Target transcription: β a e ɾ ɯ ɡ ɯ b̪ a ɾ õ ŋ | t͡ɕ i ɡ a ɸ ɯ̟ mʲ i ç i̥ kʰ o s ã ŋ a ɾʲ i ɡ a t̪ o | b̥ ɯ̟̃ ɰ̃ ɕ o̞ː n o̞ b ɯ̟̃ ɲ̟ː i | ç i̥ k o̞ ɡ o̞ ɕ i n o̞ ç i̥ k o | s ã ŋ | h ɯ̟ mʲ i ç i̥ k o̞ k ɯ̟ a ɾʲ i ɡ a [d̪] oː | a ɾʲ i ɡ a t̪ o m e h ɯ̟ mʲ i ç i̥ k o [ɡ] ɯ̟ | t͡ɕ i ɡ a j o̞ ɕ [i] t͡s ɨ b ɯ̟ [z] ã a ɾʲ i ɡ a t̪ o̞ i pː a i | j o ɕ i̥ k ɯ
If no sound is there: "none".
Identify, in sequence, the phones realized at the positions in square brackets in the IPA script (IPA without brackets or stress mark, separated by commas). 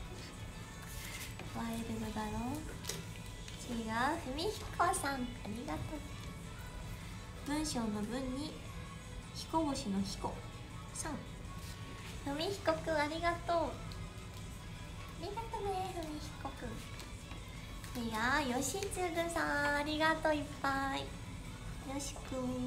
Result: t̪, k, i, s